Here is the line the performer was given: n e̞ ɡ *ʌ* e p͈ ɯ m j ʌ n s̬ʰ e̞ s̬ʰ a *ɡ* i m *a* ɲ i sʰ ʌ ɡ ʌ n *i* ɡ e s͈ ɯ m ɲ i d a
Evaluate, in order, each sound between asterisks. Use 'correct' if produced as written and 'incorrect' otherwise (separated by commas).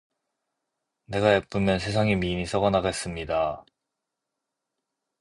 incorrect, incorrect, incorrect, incorrect